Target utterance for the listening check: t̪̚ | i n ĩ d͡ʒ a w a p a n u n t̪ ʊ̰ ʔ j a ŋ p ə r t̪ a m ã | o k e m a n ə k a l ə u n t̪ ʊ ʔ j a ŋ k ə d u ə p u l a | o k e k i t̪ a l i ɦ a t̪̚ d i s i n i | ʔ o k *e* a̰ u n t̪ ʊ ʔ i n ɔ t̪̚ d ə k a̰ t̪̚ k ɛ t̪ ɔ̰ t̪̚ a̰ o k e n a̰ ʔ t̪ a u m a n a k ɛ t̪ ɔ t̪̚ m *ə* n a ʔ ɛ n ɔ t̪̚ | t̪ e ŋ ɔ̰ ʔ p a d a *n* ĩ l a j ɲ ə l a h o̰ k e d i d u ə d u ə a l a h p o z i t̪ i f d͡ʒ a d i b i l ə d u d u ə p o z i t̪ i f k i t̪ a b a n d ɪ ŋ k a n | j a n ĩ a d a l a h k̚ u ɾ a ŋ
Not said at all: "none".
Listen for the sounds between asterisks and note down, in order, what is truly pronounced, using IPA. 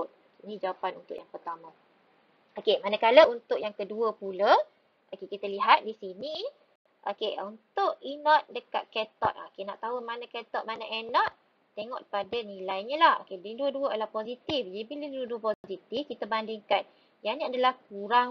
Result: e, a, n

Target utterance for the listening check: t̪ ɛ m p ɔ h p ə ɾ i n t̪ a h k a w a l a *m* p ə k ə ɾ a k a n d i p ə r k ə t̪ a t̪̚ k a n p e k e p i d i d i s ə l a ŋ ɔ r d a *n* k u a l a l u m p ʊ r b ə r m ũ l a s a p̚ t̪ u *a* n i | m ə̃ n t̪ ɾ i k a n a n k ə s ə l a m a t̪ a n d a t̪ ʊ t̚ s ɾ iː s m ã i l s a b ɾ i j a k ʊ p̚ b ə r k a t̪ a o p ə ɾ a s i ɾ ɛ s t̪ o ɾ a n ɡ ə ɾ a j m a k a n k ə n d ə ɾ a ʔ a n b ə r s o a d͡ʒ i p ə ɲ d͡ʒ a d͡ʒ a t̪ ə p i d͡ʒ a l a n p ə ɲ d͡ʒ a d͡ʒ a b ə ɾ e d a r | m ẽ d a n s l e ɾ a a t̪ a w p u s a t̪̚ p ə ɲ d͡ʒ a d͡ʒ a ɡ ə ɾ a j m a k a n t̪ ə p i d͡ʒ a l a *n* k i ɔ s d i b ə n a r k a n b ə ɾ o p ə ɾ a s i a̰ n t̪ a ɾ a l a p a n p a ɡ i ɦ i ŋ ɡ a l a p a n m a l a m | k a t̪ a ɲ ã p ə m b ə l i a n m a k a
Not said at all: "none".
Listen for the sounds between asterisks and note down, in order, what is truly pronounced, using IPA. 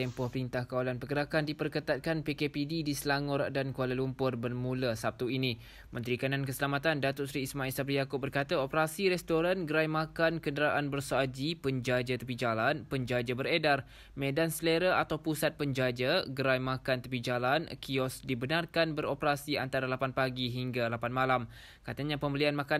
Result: n, n, i, n

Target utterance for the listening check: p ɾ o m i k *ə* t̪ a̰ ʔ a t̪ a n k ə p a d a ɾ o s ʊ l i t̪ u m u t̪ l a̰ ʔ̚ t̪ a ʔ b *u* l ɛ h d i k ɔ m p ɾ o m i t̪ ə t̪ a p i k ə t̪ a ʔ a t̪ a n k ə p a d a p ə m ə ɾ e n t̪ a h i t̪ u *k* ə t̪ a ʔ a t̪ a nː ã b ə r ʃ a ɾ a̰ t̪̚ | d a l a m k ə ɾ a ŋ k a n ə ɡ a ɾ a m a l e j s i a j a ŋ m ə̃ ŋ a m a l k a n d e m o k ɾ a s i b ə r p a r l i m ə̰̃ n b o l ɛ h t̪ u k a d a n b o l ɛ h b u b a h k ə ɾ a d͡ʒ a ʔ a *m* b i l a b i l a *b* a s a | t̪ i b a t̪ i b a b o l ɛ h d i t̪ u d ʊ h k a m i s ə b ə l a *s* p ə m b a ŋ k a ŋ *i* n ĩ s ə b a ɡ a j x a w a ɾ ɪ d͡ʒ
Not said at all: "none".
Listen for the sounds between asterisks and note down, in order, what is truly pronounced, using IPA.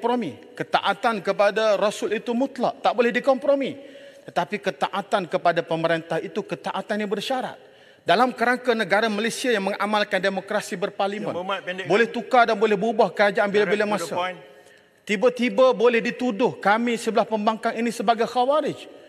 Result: ə, o, k, n, m, h, i

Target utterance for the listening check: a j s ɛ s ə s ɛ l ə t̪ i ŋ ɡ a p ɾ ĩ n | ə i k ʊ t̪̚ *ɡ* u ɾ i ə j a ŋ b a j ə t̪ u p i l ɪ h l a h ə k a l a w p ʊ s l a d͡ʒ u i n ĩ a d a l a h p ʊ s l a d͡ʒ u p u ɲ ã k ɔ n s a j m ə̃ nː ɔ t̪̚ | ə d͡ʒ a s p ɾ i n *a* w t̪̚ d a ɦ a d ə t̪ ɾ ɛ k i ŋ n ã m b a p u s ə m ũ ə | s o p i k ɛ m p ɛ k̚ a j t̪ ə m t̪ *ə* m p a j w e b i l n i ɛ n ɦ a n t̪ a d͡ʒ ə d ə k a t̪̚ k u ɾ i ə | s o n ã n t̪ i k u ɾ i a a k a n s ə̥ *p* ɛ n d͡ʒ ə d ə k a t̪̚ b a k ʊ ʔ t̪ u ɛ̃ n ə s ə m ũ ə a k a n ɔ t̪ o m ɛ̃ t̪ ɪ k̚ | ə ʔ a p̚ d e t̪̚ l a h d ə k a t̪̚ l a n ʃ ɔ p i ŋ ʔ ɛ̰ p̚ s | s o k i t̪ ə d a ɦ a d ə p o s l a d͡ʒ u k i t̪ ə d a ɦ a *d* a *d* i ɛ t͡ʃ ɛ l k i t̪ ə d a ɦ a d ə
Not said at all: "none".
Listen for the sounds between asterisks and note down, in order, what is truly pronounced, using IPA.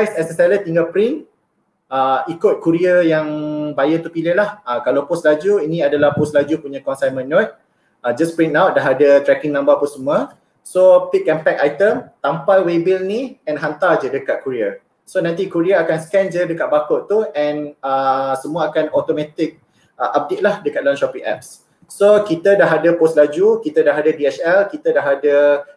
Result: k, a, a, k, d, d

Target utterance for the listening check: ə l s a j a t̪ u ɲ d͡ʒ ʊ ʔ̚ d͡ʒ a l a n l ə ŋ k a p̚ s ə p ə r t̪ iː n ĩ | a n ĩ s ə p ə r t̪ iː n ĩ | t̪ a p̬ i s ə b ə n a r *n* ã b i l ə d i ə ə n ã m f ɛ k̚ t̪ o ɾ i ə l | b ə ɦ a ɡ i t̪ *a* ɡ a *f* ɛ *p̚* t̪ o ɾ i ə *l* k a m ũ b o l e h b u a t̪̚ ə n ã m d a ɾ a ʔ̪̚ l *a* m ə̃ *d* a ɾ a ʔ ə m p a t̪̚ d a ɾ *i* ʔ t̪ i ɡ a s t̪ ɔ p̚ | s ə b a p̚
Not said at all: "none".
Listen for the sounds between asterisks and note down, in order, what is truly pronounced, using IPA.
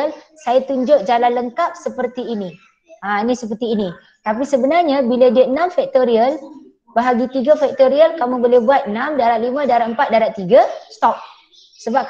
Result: ɲ, i, f, k̚, l, i, d, a

